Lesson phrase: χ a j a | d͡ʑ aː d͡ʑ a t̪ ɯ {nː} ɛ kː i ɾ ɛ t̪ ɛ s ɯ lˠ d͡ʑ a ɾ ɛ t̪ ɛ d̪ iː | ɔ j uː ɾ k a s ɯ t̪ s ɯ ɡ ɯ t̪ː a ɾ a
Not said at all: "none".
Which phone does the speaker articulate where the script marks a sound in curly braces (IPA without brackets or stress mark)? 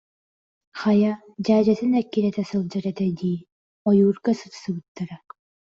n